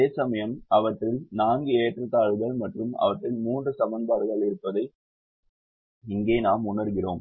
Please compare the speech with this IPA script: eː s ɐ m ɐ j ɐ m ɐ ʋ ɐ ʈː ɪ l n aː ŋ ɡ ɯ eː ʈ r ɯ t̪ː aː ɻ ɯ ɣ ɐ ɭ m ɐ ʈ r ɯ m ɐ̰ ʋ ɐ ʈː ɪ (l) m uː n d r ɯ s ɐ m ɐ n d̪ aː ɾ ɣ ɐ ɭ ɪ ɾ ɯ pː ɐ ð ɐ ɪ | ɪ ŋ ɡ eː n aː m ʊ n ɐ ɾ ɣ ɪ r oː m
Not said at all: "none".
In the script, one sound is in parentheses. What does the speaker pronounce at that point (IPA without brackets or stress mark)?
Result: l